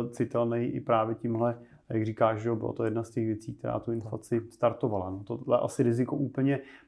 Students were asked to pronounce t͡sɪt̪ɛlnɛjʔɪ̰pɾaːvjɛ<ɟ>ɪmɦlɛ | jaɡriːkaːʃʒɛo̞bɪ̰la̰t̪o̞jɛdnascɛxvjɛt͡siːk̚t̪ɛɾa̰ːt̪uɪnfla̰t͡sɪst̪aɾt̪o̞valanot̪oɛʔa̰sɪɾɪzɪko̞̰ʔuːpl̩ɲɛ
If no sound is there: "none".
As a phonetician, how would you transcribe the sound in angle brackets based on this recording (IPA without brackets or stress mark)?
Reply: c